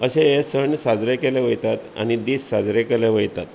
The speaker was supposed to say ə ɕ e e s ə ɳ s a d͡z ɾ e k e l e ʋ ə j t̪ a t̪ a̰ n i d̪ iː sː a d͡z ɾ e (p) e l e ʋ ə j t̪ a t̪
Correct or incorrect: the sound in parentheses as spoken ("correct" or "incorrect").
incorrect